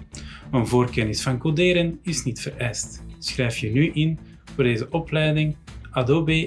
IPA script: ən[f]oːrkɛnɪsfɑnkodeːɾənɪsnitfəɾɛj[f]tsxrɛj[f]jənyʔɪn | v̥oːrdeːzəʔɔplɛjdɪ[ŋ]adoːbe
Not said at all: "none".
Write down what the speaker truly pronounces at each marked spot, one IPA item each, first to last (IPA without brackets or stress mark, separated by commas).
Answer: v, s, f, ŋ